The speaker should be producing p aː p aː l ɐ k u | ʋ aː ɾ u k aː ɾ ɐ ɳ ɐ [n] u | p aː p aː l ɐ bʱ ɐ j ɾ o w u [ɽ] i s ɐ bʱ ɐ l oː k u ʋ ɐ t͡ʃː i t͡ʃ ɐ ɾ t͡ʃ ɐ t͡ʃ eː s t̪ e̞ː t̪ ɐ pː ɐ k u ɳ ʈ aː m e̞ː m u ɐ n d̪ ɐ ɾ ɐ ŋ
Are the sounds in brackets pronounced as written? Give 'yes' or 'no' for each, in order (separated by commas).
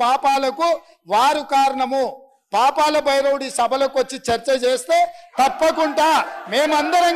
no, yes